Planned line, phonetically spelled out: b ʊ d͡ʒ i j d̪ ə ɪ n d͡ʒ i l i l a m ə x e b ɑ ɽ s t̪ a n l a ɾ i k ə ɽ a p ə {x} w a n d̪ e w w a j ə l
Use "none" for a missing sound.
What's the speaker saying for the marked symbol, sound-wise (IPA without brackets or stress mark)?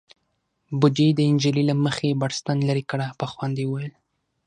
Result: x